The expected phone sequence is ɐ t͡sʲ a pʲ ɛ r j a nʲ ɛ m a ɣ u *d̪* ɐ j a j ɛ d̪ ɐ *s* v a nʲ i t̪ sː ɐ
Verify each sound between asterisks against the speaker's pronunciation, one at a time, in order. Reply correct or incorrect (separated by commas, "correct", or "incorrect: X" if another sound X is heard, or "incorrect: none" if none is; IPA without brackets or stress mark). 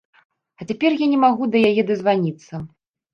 correct, incorrect: z